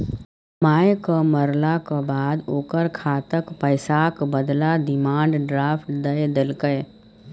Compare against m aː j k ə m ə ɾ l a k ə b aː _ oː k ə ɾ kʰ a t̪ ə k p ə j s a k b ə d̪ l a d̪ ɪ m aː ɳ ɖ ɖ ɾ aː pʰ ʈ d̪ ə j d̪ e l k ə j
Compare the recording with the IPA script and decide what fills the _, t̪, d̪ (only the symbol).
d̪